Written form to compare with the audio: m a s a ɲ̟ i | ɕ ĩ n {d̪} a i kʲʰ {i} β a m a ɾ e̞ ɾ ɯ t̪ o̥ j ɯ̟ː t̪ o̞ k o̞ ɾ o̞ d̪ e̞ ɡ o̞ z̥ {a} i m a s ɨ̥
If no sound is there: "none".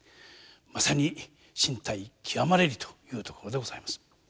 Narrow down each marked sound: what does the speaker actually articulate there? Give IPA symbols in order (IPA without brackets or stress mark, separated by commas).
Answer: t̪, i, a